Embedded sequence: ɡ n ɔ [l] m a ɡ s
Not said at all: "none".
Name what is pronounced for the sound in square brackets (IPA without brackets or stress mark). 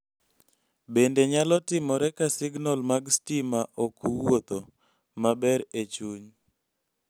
l